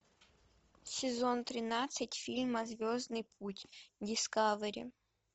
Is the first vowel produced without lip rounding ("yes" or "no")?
yes